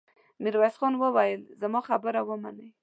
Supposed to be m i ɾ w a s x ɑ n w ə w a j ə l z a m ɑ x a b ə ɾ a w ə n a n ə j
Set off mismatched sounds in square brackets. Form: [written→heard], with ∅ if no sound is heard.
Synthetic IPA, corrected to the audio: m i ɾ w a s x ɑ n w ə w a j ə l z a m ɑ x a b ə ɾ a w ə [n→m] a n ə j